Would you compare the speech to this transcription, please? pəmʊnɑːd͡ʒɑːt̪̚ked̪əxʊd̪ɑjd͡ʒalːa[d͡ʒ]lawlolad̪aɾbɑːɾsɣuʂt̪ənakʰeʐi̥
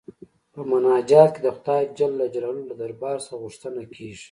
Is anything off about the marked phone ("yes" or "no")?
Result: no